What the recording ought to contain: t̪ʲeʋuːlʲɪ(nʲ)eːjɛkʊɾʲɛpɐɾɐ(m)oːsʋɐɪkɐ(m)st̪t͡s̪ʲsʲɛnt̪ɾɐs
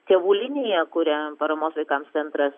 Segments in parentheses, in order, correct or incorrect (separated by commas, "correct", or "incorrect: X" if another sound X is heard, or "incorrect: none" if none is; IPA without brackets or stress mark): correct, correct, correct